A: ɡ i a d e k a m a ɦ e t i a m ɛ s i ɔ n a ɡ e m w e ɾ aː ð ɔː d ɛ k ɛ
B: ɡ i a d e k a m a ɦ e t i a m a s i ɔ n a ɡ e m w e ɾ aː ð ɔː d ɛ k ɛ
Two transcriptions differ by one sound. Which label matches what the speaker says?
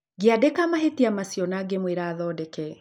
B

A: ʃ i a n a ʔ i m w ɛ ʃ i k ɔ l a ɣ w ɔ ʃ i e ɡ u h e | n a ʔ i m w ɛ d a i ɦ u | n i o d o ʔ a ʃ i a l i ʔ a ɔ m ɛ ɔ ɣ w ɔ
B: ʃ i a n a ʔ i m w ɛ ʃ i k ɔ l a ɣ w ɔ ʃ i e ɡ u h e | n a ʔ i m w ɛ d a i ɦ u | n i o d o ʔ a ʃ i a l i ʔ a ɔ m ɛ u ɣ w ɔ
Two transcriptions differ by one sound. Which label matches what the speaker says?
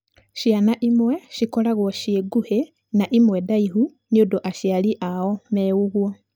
B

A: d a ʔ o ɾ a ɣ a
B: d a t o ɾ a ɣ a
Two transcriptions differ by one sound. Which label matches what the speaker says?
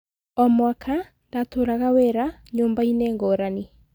B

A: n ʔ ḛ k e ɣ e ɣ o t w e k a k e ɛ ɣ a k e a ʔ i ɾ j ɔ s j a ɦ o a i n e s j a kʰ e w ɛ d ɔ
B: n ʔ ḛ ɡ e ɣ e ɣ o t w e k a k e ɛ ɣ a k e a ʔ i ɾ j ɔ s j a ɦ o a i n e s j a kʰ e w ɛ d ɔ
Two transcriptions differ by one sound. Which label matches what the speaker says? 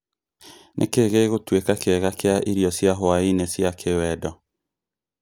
A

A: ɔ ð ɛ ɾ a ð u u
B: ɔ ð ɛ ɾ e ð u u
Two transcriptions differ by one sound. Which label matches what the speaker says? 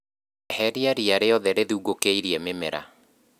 B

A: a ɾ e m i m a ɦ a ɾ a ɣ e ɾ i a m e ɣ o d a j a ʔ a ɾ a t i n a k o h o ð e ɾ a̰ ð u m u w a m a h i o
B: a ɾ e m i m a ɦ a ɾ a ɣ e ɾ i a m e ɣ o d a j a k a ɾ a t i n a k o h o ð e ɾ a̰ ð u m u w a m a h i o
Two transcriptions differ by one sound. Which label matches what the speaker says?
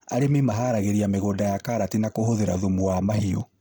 B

